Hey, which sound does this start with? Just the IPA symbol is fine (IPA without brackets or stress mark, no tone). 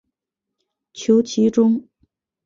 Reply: t͡ɕʰ